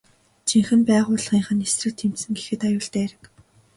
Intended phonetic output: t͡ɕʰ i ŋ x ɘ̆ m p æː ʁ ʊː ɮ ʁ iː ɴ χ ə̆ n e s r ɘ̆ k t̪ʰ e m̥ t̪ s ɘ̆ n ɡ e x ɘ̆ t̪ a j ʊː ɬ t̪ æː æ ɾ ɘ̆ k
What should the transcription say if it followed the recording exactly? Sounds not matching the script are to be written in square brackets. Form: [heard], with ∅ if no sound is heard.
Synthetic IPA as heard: t͡ɕʰ i ŋ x ɘ̆ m p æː ʁ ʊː ɮ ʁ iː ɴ χ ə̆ n e s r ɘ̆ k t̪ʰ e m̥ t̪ s ɘ̆ [ŋ] ɡ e x ɘ̆ t̪ a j ʊː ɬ t̪ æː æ ɾ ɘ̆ k